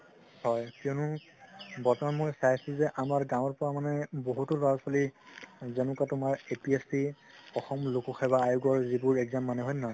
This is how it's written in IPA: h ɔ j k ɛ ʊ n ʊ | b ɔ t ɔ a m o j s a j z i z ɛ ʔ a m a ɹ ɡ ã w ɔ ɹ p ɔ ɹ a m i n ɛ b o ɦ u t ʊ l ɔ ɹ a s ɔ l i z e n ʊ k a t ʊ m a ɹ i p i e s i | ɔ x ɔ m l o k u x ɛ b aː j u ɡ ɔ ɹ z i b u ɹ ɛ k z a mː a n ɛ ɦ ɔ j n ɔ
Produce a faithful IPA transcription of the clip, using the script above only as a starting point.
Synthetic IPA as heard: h ɔ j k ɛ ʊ n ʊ | b ɔ t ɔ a m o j s a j s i z ɛ ʔ a m a ɹ ɡ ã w ɔ ɹ p ɔ ɹ a m a n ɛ b o ɦ u t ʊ l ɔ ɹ a s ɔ l i z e n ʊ k a t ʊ m a ɹ e p i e s i | ɔ x ɔ m l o k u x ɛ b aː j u ɡ ɔ ɹ z i b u ɹ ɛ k z a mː a n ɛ ɦ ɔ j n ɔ